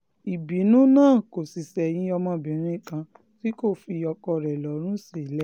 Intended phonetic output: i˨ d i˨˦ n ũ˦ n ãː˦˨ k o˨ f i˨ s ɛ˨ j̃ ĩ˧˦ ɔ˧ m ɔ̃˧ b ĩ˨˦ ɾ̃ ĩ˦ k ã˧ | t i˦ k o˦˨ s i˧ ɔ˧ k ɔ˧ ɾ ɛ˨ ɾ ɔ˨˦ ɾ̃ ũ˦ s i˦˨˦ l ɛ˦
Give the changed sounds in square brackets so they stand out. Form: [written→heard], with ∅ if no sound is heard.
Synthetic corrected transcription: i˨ [d→b] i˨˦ n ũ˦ n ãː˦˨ k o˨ [f→s] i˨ s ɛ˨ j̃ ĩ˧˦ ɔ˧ m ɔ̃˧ b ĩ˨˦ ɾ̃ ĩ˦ k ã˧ | t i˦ k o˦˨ [s→f] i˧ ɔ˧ k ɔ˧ ɾ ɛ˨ [ɾ→l] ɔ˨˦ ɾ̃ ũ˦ s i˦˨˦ l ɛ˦